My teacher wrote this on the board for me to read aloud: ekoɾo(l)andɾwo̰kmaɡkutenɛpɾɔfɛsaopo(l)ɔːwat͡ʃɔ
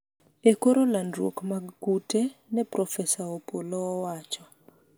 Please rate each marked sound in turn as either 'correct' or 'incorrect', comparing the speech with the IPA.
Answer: correct, correct

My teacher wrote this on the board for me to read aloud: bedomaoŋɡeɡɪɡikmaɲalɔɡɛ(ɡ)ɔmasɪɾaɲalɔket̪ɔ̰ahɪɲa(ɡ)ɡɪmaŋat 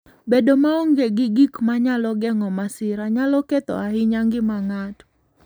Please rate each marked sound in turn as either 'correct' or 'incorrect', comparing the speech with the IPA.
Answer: incorrect: ŋ, incorrect: ŋ

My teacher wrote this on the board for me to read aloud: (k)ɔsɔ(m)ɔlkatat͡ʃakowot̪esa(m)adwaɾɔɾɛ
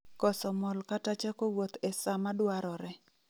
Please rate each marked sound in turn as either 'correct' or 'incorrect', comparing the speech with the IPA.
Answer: correct, correct, correct

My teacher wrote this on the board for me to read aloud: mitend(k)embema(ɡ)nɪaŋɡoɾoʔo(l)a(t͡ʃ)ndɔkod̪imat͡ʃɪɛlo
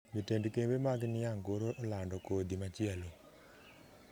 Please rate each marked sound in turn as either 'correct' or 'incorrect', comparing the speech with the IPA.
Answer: correct, correct, correct, incorrect: none

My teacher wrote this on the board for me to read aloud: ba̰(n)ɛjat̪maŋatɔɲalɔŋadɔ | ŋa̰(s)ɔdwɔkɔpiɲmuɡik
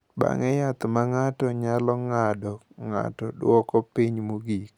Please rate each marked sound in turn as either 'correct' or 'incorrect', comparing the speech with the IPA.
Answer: incorrect: ŋ, incorrect: t

